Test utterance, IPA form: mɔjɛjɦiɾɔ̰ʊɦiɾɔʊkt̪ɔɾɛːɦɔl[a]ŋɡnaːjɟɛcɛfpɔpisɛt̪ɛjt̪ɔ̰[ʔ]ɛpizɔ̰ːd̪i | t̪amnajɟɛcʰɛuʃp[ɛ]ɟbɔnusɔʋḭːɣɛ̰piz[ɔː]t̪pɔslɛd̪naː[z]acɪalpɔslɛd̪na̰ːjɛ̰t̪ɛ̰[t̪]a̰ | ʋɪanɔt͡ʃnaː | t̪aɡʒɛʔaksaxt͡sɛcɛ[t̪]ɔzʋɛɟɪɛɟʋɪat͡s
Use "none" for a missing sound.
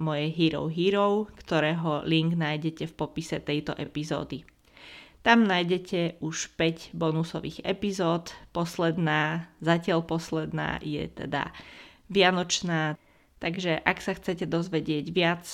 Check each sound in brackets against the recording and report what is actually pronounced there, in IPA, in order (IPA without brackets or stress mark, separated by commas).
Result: i, ʔ, ɛ, ɔː, z, d̪, d̪